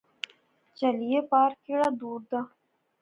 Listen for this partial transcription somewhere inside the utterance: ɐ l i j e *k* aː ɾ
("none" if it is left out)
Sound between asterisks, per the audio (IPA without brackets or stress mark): p